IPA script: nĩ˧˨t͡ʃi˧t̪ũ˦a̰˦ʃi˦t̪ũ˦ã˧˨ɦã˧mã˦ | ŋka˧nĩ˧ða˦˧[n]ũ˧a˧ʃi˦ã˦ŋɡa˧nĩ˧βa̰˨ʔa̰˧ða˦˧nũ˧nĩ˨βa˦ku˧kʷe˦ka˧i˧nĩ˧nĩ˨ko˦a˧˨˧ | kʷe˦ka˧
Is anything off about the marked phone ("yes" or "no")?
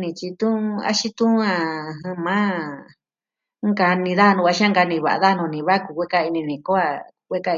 no